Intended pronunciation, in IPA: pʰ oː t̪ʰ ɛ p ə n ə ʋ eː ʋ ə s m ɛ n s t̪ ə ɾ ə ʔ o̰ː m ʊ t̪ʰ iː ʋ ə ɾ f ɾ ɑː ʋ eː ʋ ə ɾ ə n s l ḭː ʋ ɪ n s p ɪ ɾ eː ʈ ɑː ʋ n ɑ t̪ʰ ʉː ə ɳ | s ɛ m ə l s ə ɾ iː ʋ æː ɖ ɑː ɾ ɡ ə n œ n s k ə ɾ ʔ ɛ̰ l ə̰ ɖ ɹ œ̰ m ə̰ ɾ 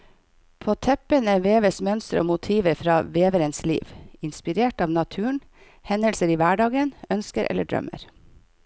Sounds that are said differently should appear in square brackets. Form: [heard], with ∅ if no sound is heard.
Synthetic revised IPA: pʰ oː t̪ʰ ɛ p ə n ə ʋ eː ʋ ə s m [œ] n s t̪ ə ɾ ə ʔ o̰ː m ʊ t̪ʰ iː ʋ ə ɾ f ɾ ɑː ʋ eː ʋ ə ɾ ə n s l ḭː ʋ ɪ n s p ɪ ɾ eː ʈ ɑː ʋ n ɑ t̪ʰ ʉː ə ɳ | [h] ɛ [n] ə l s ə ɾ iː ʋ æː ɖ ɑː [∅] ɡ ə n œ n s k ə ɾ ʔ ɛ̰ l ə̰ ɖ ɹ œ̰ m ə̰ ɾ